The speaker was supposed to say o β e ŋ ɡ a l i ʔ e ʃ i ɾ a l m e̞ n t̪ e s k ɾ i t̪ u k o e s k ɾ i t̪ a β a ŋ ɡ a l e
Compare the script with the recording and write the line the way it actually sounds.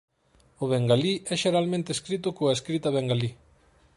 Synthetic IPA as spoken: o β e ŋ ɡ a l i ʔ e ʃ e ɾ a l m e̞ n t̪ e s k ɾ i t̪ u k o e s k ɾ i t̪ a β e ŋ ɡ a l i